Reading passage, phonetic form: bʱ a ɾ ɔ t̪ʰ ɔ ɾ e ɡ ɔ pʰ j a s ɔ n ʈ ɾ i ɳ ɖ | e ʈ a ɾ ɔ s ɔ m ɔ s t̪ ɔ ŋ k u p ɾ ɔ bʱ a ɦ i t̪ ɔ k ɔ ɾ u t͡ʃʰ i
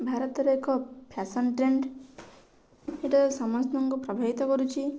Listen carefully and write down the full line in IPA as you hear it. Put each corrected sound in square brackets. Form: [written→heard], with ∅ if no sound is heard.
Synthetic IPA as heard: bʱ a ɾ ɔ [t̪ʰ→t̪] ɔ ɾ e [ɡ→k] ɔ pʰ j a s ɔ n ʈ ɾ [i→e] ɳ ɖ | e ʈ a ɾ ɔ s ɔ m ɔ s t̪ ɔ ŋ k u p ɾ ɔ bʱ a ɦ i t̪ ɔ k ɔ ɾ u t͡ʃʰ i

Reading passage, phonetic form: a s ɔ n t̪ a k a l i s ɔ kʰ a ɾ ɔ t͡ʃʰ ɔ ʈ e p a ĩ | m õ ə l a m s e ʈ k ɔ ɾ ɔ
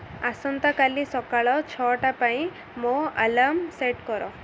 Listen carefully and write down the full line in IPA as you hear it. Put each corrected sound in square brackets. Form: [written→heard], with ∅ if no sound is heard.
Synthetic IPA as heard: a s ɔ n t̪ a k a l i s ɔ [kʰ→k] a [ɾ→ɭ] ɔ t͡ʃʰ ɔ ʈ [e→a] p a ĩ | m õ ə l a m s e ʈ k ɔ ɾ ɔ

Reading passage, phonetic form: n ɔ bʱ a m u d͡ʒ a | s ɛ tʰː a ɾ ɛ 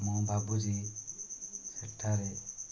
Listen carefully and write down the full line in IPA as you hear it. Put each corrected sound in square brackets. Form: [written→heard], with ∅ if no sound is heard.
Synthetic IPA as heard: [n→m] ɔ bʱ a [m→b] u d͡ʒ [a→i] | s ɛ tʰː a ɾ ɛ

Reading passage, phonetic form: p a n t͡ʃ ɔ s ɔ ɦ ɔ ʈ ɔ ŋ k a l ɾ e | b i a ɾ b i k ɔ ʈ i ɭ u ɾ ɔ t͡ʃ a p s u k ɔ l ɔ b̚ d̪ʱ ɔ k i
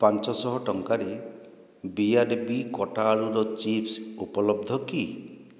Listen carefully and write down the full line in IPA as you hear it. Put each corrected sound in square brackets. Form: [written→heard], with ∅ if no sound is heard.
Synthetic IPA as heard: p a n t͡ʃ ɔ s ɔ ɦ ɔ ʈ ɔ ŋ k a [l→∅] ɾ e | b i a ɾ b i k ɔ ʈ [i→a] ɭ u ɾ ɔ t͡ʃ [a→i] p s u [k→p] ɔ l ɔ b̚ d̪ʱ ɔ k i

